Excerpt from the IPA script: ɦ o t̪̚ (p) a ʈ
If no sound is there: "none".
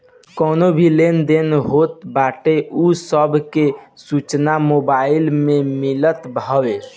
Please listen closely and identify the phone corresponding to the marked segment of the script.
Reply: b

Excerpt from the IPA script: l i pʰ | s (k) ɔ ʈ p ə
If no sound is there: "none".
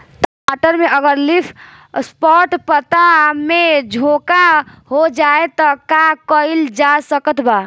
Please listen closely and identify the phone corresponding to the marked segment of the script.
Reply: p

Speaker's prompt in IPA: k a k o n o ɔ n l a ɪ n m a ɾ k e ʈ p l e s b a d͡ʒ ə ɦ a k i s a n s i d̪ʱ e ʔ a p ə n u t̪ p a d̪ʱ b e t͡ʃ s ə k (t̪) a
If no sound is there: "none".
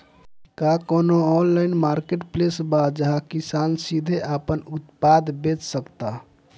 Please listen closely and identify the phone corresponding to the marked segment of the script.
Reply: t̪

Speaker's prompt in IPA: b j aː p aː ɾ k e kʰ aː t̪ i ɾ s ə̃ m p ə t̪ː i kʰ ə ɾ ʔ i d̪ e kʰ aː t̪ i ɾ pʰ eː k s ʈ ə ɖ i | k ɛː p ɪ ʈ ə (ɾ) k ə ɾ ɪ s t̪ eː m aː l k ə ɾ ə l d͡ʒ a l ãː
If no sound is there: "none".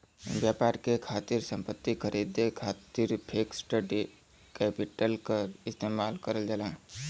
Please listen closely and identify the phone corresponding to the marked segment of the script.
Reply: l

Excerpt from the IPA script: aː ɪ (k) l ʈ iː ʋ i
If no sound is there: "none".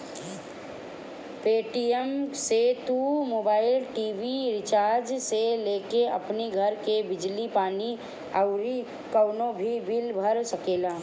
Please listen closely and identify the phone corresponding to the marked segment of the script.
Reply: none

